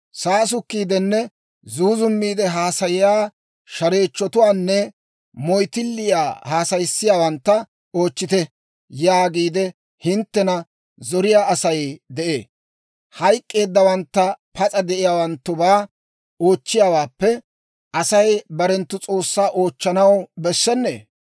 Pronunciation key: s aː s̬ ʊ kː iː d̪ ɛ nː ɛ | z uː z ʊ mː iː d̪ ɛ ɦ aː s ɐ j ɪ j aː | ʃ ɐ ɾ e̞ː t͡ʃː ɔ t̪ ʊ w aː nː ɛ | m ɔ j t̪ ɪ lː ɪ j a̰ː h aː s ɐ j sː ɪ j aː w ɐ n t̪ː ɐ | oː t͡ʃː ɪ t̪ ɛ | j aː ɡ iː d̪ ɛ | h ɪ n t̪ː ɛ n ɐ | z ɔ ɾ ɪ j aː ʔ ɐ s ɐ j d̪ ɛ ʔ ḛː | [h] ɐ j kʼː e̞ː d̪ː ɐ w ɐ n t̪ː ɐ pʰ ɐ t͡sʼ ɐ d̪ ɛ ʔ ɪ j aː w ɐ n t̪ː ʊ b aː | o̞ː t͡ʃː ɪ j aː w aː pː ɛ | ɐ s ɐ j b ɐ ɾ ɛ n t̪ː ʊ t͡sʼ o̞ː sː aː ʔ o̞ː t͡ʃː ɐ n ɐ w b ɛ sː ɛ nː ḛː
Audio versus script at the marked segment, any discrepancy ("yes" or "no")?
no